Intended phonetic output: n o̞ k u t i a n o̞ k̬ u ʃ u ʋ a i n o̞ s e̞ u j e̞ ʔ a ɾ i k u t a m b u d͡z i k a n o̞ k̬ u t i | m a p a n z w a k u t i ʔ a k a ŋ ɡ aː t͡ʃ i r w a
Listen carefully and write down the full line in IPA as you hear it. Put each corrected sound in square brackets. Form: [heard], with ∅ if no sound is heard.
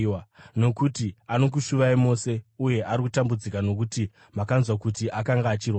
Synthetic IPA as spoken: n o̞ k u t i a n o̞ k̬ u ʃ u ʋ a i [m] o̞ s e̞ u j e̞ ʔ a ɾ i k u t a m b u d͡z i k a n o̞ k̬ u t i | m a [k] a n z w a k u t i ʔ a k a ŋ ɡ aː t͡ʃ i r w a